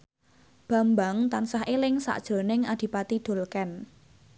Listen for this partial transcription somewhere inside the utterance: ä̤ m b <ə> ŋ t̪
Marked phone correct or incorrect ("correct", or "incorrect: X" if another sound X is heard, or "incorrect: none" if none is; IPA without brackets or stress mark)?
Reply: incorrect: a